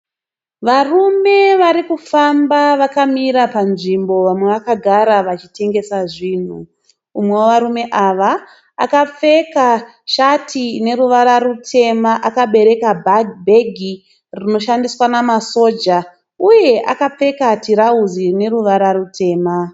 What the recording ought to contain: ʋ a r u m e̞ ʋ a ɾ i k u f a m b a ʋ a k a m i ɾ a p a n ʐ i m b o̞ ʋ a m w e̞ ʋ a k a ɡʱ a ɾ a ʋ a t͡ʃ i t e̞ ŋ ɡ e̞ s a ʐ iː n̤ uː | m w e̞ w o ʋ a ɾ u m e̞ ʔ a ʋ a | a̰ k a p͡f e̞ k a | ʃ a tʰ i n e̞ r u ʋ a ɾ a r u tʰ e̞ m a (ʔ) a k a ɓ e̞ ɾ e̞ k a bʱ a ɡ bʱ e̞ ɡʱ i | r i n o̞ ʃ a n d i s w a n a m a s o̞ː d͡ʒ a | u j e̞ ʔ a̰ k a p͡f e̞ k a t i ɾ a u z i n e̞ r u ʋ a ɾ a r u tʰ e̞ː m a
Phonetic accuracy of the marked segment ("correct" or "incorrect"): correct